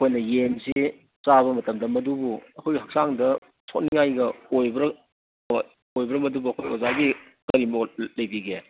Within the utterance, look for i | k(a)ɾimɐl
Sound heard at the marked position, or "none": ɐ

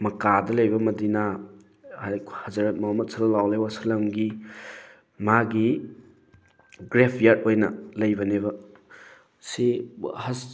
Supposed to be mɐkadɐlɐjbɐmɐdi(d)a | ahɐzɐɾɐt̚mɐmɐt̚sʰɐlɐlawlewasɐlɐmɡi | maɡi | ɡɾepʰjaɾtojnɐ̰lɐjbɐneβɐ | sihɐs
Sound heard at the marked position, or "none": n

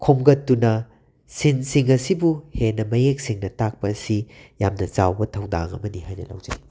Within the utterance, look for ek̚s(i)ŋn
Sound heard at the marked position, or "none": i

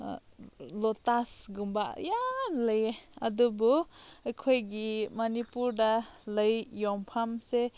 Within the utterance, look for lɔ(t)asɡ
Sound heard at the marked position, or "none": t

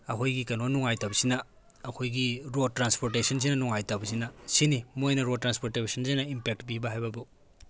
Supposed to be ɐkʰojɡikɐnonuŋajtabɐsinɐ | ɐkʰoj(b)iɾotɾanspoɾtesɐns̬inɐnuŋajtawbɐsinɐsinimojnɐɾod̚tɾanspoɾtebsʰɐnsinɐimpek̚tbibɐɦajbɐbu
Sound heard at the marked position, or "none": ɡ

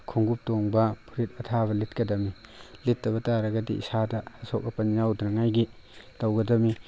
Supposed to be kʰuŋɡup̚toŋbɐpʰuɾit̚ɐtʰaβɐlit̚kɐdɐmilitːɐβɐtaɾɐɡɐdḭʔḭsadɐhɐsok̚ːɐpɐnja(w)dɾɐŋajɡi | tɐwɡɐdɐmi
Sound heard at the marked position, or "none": w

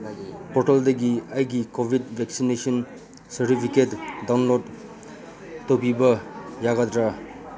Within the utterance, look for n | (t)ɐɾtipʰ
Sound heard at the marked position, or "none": s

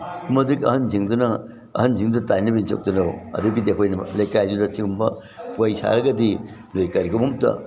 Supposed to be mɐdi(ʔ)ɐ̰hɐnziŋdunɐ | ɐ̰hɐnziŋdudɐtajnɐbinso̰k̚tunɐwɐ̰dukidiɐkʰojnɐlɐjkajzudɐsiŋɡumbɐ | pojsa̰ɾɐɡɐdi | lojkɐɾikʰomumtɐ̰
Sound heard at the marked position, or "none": k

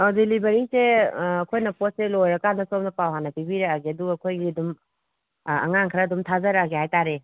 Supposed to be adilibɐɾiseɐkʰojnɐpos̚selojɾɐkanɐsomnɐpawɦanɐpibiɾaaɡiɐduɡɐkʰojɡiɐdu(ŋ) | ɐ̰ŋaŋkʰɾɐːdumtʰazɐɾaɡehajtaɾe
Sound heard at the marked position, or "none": m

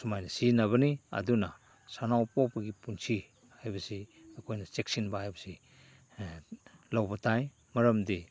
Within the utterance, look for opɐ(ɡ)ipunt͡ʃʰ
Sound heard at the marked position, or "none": ɡ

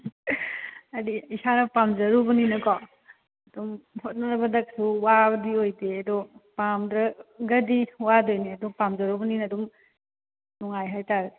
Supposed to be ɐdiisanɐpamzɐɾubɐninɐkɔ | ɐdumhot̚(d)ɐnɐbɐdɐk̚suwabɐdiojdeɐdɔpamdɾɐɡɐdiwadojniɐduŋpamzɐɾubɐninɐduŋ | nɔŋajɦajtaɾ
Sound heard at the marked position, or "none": n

